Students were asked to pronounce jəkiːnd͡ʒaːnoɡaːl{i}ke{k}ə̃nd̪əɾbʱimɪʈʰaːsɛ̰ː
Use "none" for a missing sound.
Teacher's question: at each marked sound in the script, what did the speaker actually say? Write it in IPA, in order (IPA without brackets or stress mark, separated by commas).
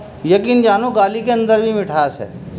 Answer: i, none